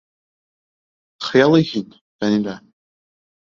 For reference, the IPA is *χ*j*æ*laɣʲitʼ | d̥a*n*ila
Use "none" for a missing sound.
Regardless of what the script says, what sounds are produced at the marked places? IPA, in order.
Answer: χ, a, n

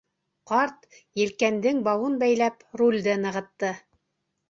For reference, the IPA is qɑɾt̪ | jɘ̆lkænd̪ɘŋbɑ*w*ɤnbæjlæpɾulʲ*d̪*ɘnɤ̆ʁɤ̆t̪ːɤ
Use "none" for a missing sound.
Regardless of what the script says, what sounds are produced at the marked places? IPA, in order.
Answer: w, d̪

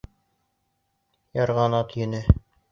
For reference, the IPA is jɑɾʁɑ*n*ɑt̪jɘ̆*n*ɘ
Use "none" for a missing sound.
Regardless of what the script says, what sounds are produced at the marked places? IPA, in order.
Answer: n, n

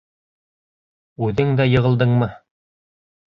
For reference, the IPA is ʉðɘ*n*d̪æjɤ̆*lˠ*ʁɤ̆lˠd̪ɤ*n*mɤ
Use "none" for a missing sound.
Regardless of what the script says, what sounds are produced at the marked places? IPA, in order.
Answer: ŋ, none, ɴ

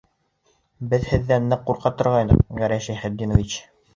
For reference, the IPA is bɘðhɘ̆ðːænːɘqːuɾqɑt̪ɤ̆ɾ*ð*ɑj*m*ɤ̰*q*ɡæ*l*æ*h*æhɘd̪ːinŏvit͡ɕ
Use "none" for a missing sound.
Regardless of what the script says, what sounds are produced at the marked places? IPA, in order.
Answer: ʁ, n, q, ɾ, ʃ

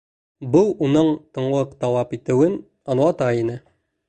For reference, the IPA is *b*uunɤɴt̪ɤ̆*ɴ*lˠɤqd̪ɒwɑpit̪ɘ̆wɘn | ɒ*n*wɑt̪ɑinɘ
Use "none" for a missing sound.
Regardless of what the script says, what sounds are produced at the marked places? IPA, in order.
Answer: b, ɴ, n

